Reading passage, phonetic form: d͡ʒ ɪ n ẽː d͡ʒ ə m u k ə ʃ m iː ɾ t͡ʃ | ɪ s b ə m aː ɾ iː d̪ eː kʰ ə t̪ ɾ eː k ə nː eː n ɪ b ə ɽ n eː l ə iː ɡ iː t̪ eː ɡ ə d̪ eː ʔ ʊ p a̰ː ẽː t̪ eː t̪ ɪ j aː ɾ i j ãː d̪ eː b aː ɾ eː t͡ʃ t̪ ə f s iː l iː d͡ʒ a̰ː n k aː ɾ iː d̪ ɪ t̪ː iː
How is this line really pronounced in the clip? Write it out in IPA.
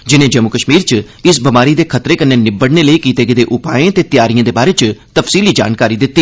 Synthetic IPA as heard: d͡ʒ ɪ n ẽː d͡ʒ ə m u k ə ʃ m iː ɾ t͡ʃ | ɪ s b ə m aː ɾ iː d̪ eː kʰ ə t̪ ɾ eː k ə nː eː n ɪ b ə ɽ n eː l ə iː k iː t̪ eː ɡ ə d̪ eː ʔ ʊ p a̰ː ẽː t̪ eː t̪ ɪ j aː ɾ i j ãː d̪ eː b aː ɾ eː t͡ʃ t̪ ə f s iː l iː d͡ʒ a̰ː n k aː ɾ iː d̪ ɪ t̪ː iː